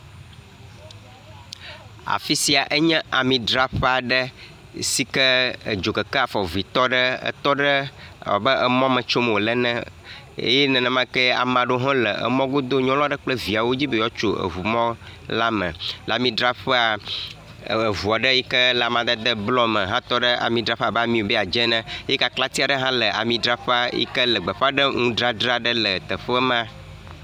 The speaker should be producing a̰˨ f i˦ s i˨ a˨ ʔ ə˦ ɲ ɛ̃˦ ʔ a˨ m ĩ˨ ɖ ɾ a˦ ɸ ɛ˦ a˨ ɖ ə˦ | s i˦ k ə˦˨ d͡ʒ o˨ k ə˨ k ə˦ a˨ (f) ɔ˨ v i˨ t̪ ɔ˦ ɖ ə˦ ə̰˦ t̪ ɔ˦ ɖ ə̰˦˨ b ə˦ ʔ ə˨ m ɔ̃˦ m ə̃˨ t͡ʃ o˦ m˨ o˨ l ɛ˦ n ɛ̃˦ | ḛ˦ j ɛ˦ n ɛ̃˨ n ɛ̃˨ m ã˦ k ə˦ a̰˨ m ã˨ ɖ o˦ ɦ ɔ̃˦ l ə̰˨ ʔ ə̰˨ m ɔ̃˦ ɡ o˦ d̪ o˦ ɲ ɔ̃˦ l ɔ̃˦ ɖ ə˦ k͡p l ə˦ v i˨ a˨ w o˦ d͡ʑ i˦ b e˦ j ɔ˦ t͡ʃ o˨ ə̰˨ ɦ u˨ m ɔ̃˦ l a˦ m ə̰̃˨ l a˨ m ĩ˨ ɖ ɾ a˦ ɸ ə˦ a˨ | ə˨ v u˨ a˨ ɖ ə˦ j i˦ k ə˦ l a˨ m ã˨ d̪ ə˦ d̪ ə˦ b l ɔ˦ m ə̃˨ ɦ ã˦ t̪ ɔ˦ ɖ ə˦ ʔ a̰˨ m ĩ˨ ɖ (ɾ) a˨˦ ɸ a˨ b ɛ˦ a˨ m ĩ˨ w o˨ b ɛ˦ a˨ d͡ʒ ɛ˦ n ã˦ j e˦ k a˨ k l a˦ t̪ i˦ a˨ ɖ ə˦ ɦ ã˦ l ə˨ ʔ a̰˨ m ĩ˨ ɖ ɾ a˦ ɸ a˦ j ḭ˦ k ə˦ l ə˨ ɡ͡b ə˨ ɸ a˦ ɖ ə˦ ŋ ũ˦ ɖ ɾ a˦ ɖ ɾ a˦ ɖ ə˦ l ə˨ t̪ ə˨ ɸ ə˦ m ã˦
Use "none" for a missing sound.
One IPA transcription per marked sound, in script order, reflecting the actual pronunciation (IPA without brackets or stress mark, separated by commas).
f, ɾ